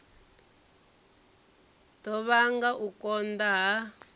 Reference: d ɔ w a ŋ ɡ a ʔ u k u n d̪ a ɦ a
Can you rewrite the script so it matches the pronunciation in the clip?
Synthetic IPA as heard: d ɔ β a ŋ ɡ a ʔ u k ɔ n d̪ a ɦ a

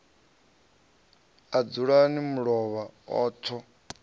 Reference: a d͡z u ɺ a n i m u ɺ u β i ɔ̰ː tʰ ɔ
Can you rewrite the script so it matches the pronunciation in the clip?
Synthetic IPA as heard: a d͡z u ɺ a n i m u ɺ ɔ β a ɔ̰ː tʰ ɔ

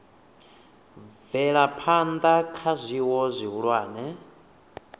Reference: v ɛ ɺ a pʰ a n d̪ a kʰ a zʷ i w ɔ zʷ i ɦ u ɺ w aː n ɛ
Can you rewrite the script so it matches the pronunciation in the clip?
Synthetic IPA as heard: v ɛ ɺ a pʰ a n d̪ a kʰ a zʷ i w ɔ zʷ i ɦ u ɺ w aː n ɛ

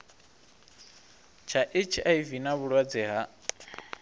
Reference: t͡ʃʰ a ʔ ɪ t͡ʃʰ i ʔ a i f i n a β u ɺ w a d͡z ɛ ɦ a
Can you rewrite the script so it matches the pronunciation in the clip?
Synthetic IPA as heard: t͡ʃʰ a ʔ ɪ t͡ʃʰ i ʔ a i v i n a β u ɺ w a d͡z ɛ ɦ a

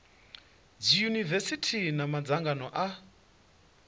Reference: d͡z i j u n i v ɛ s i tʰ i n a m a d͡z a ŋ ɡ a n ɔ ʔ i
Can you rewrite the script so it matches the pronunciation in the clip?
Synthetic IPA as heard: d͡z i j u n i v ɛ s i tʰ i n a m a d͡z a ŋ ɡ a n ɔ ʔ a

